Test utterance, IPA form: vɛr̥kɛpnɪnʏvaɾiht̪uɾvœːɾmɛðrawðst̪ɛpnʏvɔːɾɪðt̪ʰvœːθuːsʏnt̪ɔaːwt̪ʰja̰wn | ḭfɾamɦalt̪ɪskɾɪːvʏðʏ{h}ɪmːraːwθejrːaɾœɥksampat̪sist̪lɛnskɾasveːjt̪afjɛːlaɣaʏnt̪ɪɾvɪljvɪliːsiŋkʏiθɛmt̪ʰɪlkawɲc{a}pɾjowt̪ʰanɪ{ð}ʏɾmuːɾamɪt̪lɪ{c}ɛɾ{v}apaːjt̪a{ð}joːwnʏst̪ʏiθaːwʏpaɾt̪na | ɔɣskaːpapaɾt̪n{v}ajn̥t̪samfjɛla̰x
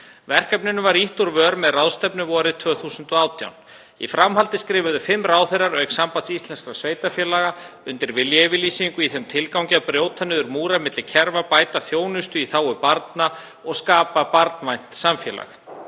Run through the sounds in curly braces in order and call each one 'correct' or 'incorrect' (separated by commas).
incorrect, correct, correct, incorrect, correct, incorrect, correct